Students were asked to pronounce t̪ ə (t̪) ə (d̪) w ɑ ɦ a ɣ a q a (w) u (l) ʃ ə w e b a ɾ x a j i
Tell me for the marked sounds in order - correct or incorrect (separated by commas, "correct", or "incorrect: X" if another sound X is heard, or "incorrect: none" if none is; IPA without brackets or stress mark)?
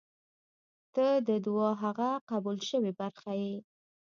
incorrect: d̪, correct, incorrect: b, correct